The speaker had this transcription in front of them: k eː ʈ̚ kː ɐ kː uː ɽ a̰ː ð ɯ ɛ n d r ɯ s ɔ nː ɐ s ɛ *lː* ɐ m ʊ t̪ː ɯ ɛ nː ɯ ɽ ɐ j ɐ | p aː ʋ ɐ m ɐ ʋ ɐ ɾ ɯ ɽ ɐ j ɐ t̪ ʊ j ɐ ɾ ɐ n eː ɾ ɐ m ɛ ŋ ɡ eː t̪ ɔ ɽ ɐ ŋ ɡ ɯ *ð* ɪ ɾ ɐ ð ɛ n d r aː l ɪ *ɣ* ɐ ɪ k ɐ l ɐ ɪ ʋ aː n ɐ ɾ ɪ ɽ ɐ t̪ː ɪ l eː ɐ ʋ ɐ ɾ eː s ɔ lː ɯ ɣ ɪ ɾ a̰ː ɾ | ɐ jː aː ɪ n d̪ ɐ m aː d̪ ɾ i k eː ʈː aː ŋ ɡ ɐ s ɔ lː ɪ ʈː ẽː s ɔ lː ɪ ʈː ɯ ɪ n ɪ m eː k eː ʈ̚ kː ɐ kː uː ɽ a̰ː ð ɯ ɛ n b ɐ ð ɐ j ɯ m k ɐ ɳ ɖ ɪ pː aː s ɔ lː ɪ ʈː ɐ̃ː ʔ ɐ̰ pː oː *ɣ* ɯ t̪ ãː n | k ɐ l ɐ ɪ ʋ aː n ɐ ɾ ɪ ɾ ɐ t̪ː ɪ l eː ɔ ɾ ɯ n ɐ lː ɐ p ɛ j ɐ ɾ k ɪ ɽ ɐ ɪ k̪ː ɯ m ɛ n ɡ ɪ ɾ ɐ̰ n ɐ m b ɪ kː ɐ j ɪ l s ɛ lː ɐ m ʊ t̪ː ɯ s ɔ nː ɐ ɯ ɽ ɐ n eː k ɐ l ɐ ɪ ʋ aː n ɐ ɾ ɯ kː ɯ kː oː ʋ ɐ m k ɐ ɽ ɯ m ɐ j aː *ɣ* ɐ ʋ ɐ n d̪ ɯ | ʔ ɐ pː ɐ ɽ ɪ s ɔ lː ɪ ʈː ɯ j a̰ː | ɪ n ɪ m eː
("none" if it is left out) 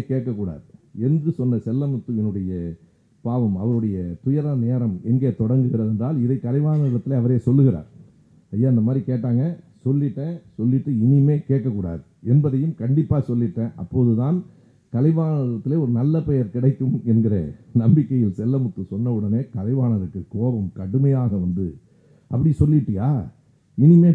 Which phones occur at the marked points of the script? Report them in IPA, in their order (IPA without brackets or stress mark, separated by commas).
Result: lː, ɣ, ð, ð, ɣ